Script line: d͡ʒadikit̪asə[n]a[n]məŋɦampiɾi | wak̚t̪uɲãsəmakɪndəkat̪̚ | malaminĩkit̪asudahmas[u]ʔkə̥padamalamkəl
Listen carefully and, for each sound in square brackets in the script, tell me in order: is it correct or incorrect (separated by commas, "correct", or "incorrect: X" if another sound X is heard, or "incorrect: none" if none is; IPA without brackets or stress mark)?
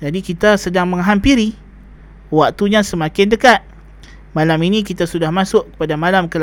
incorrect: d, incorrect: ŋ, incorrect: ʊ